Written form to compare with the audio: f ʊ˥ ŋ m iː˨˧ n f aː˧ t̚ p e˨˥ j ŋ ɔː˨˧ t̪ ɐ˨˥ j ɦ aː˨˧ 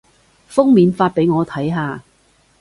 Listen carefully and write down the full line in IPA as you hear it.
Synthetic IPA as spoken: f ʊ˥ ŋ m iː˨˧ n f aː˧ t̚ p e˨˥ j ŋ ɔː˨˧ t̪ʰ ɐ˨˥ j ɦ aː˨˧

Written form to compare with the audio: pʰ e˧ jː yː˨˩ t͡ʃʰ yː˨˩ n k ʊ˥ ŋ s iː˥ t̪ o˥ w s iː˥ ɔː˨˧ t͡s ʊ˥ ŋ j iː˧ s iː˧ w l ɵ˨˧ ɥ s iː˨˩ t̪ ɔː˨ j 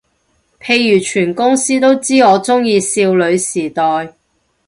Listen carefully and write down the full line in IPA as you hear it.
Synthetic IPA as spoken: pʰ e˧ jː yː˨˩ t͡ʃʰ yː˨˩ n k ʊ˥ ŋ s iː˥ t̪ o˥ w t͡s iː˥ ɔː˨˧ t͡s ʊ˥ ŋ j iː˧ s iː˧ w l ɵ˨˧ ɥ s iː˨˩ t̪ ɔː˨ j

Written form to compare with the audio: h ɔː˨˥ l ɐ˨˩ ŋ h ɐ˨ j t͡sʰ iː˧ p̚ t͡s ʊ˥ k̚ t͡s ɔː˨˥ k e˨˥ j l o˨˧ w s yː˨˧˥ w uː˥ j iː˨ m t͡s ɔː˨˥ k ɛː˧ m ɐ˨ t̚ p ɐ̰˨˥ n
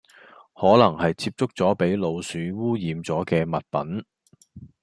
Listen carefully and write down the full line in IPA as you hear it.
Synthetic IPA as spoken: h ɔː˨˥ l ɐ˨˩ ŋ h ɐ˨ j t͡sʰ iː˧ p̚ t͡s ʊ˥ k̚ t͡s ɔː˨˥ p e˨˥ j l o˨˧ w s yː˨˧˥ w uː˥ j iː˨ m t͡s ɔː˨˥ k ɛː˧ m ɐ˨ t̚ p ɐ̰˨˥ n

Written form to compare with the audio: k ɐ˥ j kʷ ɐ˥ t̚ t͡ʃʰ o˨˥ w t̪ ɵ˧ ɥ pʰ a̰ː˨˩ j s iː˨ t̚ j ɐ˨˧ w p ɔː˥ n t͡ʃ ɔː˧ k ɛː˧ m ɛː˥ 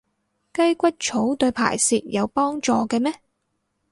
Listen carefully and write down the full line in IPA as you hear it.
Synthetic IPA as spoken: k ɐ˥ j kʷ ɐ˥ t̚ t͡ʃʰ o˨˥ w t̪ ɵ˧ ɥ pʰ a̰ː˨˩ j s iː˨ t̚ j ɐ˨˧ w p ɔː˥ ŋ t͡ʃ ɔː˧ k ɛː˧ m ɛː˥

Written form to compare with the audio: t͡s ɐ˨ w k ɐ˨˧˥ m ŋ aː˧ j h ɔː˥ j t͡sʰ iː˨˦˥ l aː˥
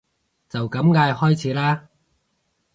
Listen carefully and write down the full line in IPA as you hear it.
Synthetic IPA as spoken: t͡s ɐ˨ w k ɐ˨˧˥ m ŋ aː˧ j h ɔː˥ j t͡sʰ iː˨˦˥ l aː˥

